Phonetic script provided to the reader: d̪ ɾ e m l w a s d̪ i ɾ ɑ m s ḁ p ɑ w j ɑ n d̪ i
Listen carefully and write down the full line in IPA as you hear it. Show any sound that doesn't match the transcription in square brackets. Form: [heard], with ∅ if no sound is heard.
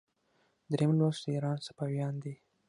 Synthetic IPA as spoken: d̪ ɾ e m l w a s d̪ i ɾ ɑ [n] s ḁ p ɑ w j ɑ n d̪ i